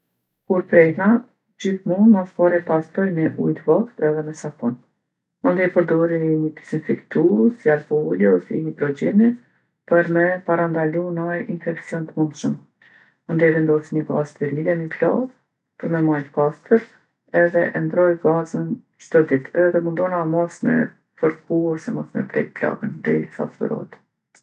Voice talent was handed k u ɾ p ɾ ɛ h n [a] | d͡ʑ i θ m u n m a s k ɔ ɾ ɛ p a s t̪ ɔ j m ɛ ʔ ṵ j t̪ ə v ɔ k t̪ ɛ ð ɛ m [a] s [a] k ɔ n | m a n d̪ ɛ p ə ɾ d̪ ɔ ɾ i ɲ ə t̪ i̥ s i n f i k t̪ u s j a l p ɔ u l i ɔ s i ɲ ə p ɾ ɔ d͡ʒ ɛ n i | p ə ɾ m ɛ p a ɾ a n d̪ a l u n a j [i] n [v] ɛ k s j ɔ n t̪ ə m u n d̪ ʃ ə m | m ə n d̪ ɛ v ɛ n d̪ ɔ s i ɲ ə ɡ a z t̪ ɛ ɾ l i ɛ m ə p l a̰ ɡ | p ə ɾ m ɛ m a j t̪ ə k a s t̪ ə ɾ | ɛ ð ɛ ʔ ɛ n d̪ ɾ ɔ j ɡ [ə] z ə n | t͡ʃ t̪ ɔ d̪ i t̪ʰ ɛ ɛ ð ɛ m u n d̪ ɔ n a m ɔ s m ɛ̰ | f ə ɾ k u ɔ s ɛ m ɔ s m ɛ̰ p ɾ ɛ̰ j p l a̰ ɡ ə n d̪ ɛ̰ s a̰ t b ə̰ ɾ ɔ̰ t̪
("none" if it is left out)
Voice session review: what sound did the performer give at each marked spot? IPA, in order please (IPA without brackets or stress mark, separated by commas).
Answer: a, ɛ, a, i, f, a